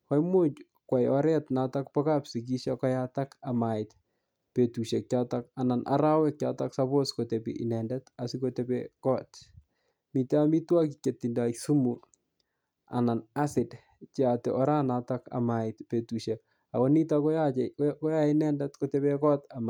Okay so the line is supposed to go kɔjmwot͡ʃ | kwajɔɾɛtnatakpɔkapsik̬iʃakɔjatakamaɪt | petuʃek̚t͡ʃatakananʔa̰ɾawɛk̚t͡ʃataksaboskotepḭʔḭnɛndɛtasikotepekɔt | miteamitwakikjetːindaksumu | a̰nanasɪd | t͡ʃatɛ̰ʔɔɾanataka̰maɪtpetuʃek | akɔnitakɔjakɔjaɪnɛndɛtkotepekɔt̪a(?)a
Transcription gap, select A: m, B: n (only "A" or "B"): A